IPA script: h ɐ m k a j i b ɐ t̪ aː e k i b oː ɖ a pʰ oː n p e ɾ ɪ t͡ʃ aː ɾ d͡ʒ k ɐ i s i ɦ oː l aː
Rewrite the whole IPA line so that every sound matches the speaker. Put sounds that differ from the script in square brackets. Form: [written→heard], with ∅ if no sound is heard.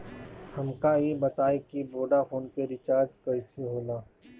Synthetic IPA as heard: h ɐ m k a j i b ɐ t̪ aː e k i b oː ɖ a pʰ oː n p e ɾ ɪ t͡ʃ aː ɾ d͡ʒ k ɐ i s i ɦ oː l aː